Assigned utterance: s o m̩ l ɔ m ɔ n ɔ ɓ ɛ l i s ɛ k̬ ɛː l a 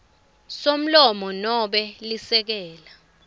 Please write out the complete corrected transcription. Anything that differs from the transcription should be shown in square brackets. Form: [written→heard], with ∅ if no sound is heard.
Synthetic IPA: s o m̩ l ɔ m ɔ n ɔ ɓ ɛ l i s ɛ k̬ ɛː l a